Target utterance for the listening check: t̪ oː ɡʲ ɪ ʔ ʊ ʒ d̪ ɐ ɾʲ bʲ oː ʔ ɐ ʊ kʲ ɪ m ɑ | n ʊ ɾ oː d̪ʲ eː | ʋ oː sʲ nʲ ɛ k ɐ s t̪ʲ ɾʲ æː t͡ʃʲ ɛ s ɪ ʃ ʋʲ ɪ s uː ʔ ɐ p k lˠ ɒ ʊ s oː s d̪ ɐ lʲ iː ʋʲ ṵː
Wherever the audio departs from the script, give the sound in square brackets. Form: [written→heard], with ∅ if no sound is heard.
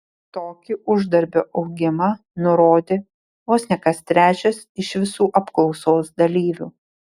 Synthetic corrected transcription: t̪ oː [ɡʲ→kʲ] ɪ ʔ ʊ ʒ d̪ ɐ ɾʲ bʲ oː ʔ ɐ ʊ [kʲ→ɡʲ] ɪ m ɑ | n ʊ ɾ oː d̪ʲ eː | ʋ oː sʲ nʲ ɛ k ɐ s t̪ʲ ɾʲ æː t͡ʃʲ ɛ s ɪ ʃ ʋʲ ɪ s uː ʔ ɐ p k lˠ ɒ ʊ s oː s d̪ ɐ lʲ iː ʋʲ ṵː

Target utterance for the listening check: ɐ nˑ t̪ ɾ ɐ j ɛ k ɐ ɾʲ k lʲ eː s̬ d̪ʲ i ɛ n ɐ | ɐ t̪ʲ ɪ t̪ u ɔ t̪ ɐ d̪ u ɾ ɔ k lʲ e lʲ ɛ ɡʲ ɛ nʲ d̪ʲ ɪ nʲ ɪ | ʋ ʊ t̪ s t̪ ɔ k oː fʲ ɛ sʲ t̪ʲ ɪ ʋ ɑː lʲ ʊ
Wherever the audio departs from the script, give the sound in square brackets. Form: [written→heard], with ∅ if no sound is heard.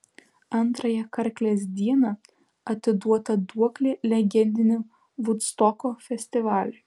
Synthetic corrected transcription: ɐ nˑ t̪ ɾ ɐ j ɛ k ɐ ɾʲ k lʲ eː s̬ d̪ʲ i ɛ n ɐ | ɐ t̪ʲ ɪ [t̪→d̪] u ɔ t̪ ɐ d̪ u [ɾ→∅] ɔ k lʲ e lʲ ɛ ɡʲ ɛ nʲ d̪ʲ ɪ nʲ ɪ | ʋ ʊ t̪ s t̪ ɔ k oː fʲ ɛ sʲ t̪ʲ ɪ ʋ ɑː lʲ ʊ

